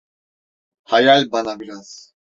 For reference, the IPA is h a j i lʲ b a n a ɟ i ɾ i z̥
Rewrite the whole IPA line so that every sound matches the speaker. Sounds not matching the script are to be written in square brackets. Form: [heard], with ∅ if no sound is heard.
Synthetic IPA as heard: h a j [a] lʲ b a n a [b] i ɾ [a] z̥